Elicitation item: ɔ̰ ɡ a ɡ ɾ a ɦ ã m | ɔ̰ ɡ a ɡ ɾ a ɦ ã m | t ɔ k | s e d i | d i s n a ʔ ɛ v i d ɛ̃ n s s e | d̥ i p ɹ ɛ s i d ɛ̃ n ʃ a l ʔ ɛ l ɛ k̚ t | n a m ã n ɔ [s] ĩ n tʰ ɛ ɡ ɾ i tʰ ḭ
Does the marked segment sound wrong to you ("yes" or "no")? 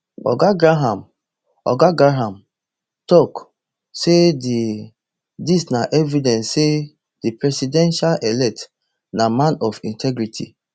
yes